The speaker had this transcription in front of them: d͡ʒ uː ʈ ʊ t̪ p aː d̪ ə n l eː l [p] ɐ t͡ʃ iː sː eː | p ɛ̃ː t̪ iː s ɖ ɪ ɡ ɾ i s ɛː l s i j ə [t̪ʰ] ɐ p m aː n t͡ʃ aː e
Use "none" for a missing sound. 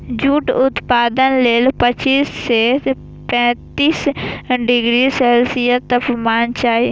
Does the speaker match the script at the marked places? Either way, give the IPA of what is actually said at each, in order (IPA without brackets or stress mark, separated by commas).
p, t̪